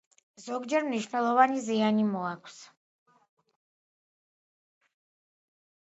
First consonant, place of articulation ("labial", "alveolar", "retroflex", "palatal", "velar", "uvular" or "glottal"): alveolar